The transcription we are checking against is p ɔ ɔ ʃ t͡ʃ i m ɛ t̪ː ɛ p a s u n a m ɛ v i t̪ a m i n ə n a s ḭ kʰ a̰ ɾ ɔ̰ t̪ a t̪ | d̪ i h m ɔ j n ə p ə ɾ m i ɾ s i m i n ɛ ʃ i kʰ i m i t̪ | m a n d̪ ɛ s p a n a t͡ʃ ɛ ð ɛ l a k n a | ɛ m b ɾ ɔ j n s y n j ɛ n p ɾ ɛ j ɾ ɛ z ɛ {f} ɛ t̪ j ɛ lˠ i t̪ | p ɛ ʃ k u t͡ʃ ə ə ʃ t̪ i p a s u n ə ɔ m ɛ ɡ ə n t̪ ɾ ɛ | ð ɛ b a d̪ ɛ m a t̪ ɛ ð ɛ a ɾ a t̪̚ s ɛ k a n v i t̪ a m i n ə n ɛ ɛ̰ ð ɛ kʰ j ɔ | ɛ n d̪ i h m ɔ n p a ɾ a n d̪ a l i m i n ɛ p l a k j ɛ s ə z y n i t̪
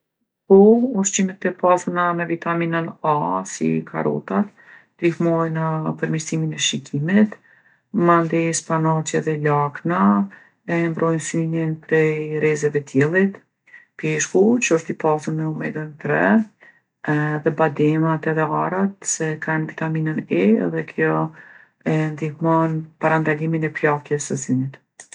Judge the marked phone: incorrect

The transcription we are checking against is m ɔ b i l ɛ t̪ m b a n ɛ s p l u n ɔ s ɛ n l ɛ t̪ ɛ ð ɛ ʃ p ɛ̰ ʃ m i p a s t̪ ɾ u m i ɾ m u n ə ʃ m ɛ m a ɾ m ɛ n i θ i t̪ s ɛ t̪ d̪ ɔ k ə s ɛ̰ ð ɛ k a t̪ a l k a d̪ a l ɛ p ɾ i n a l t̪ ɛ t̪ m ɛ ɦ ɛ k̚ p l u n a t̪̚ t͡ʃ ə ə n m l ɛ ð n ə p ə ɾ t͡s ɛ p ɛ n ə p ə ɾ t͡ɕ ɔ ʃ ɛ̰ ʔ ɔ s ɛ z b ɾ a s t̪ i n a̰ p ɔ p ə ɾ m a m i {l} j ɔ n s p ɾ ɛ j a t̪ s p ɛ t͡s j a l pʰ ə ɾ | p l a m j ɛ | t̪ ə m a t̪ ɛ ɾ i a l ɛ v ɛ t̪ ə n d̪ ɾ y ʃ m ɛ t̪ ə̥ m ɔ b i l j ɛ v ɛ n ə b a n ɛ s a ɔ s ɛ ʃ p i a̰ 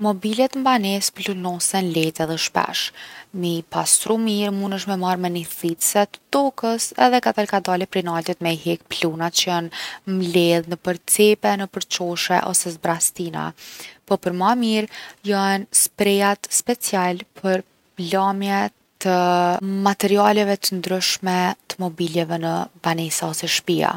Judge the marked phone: incorrect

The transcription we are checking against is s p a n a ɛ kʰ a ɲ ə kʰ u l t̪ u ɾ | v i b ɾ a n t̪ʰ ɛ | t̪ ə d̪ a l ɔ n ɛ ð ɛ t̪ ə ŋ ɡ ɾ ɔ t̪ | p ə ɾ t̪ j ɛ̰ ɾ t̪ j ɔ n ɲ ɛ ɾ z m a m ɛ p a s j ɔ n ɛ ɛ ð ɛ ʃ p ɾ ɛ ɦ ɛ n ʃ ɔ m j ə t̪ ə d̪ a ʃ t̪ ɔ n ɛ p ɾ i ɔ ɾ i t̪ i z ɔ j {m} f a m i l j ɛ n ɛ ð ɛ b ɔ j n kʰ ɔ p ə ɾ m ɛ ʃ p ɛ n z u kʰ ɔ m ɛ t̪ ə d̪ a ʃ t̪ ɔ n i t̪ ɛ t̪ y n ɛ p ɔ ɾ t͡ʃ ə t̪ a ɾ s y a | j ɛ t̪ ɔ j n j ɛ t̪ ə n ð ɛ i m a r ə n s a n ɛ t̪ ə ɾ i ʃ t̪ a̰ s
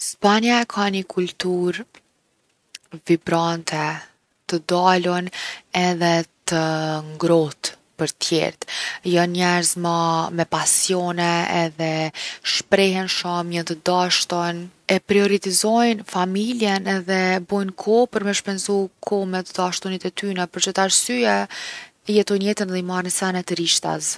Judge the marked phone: incorrect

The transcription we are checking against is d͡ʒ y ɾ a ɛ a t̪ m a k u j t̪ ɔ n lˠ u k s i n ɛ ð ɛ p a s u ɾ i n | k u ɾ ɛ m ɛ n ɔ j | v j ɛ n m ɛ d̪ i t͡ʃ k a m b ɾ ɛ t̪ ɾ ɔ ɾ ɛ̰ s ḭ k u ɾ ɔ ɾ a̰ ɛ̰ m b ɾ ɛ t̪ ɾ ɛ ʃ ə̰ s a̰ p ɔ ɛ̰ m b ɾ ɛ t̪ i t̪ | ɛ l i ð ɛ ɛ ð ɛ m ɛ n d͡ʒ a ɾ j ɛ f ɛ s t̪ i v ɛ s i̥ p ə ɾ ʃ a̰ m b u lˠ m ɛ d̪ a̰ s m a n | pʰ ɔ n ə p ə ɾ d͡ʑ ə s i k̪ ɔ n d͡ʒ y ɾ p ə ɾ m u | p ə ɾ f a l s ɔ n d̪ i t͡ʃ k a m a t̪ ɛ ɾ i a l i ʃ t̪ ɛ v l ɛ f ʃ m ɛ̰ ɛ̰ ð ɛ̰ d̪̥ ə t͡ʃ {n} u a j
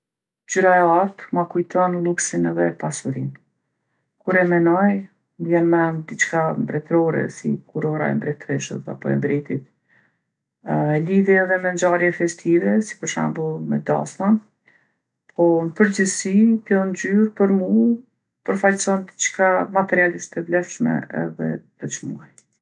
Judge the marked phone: incorrect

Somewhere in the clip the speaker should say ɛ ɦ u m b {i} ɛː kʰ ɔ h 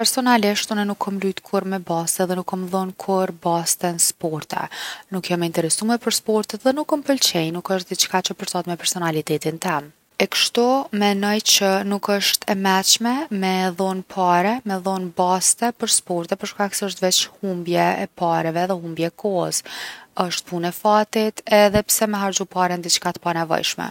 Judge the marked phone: incorrect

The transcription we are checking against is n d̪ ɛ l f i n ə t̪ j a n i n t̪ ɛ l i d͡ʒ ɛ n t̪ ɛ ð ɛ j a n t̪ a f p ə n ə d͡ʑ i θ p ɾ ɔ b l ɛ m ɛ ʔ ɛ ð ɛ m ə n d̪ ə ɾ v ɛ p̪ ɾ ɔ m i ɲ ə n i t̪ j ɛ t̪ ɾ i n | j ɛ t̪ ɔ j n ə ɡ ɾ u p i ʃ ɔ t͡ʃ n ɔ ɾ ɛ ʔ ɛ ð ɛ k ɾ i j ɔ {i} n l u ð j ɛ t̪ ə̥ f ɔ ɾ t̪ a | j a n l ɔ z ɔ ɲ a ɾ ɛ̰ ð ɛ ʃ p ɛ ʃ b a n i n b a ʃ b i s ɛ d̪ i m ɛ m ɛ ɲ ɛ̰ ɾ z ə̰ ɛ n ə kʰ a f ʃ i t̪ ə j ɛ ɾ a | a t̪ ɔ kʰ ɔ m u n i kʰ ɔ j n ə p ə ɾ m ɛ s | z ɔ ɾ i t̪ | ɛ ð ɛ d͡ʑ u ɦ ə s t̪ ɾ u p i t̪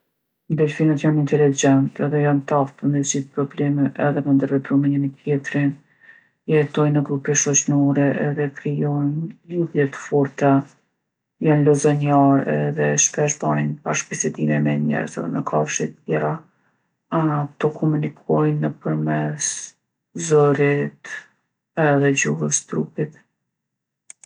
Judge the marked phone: incorrect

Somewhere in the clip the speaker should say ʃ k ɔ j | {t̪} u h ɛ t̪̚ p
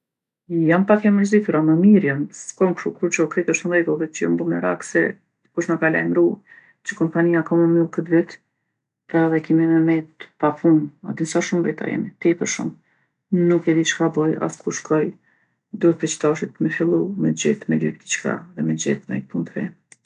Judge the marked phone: incorrect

